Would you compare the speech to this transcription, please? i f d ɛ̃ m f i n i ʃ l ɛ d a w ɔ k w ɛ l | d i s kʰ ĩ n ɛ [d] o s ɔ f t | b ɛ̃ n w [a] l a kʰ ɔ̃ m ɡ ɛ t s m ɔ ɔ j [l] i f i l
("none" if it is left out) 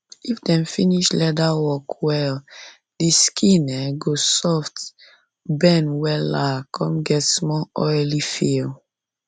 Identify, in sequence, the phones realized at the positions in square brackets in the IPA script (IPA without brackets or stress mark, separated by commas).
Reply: ɡ, ɛ, l